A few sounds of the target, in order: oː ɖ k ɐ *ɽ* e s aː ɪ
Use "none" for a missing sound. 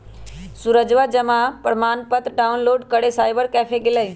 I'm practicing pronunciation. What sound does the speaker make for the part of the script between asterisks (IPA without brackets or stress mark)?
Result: ɽ